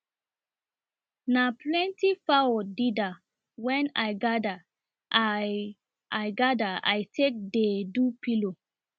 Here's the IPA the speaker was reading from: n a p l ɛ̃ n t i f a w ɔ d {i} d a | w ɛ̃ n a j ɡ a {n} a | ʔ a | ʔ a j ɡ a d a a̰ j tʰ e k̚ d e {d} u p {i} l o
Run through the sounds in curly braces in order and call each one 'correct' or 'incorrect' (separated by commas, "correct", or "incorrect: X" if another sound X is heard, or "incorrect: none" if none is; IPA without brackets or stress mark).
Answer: correct, incorrect: d, correct, correct